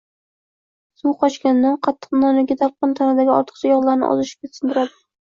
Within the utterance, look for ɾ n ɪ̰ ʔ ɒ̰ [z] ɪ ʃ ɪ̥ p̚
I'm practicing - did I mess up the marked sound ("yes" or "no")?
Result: no